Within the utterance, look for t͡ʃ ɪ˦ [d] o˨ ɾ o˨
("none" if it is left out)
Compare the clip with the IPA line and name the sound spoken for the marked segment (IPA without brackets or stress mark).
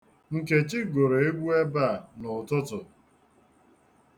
ɡ